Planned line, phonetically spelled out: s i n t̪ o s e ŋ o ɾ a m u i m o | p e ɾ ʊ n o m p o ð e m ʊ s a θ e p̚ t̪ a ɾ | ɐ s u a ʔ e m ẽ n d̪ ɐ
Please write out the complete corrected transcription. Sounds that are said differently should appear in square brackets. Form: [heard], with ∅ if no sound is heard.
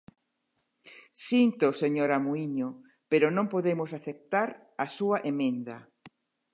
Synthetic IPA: s i n t̪ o s e [ɲ] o ɾ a m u i [ɲ] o | p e ɾ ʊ n [õ] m p o ð e m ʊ s a θ e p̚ t̪ a ɾ | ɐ s u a ʔ e m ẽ n d̪ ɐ